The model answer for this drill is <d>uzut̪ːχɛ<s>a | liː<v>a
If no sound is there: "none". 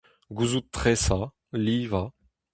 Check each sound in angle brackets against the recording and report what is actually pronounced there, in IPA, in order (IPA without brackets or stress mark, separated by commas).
ɡ, s, v